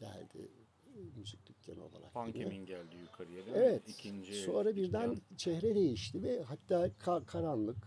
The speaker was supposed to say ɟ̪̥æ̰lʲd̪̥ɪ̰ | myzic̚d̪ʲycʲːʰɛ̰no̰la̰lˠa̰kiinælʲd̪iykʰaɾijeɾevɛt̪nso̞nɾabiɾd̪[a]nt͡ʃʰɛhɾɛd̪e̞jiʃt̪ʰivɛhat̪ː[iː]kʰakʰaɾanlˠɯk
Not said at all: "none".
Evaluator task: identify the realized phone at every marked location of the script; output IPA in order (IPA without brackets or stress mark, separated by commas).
æ, aː